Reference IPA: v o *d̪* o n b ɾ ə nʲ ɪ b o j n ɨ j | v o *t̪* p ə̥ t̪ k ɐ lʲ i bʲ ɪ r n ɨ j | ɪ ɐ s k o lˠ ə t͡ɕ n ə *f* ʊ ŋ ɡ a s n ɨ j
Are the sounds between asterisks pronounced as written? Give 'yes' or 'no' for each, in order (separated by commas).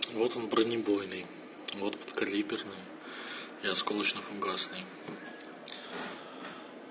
no, yes, yes